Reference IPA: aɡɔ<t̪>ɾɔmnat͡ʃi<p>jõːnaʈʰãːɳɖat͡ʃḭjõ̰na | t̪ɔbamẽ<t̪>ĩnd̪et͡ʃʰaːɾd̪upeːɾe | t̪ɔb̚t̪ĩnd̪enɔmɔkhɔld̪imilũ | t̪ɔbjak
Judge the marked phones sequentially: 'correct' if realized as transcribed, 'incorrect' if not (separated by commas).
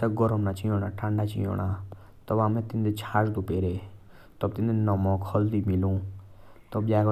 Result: incorrect, incorrect, correct